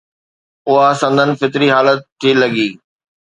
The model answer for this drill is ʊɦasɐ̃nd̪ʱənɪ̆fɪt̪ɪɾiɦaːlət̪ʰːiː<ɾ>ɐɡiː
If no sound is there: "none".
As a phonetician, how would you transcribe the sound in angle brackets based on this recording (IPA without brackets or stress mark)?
l